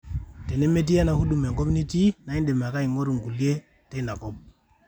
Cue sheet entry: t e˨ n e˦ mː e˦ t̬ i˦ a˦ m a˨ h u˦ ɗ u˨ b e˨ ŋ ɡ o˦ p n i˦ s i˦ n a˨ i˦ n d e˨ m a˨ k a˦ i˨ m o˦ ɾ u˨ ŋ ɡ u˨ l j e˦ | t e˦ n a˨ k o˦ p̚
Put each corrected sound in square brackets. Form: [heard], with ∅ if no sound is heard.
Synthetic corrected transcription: t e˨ n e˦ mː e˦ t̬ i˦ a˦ [n] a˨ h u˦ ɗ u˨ [m] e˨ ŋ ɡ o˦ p n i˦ [t] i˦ n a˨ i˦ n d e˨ m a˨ k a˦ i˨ [ŋ] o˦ ɾ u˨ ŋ ɡ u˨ l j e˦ | t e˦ n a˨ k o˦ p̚